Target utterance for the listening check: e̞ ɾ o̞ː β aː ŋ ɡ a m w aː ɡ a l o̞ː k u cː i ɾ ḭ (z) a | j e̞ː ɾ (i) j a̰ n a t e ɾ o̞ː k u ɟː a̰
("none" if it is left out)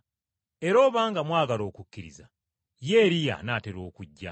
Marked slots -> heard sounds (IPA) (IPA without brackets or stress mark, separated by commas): z, i